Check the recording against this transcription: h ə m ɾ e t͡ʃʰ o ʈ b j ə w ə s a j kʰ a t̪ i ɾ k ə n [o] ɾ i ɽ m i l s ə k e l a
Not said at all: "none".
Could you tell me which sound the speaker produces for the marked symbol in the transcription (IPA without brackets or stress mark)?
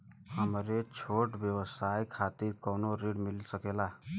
o